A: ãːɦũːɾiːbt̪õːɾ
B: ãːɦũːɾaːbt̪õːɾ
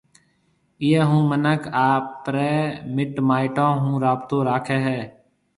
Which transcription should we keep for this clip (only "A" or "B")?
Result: B